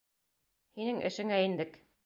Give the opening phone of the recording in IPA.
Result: h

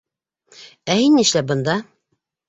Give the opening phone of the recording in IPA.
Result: æ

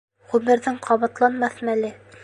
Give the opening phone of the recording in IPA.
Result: ʁ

